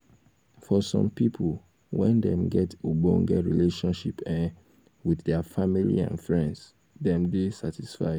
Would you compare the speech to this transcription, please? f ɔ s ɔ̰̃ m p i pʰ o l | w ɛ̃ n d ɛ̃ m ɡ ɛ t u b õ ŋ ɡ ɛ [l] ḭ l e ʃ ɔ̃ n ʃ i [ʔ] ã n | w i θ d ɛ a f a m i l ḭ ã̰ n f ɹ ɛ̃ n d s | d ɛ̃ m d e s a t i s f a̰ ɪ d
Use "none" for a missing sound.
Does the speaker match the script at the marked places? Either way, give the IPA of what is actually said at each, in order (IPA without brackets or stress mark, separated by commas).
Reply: ɹ, p